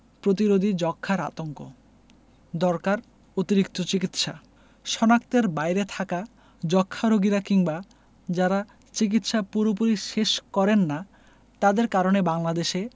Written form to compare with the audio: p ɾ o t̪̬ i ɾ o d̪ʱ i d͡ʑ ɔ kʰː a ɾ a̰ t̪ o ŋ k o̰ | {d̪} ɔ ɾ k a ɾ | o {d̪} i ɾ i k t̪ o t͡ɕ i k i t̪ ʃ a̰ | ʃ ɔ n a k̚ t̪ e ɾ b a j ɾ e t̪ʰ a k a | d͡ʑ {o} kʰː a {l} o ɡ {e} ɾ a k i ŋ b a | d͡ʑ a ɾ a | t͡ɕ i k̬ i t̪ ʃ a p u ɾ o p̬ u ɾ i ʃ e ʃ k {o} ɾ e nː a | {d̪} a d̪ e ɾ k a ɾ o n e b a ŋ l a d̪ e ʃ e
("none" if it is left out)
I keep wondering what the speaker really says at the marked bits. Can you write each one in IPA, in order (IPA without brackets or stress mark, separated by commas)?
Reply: d̪, t̪, ɔ, ɾ, i, ɔ, t̪